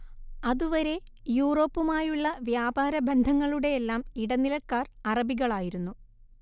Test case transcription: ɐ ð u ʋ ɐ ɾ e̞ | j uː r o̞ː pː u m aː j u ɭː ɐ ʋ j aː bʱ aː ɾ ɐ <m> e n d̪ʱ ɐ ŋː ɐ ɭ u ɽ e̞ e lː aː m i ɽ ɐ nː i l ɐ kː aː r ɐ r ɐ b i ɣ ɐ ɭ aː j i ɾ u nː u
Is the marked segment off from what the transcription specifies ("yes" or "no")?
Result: yes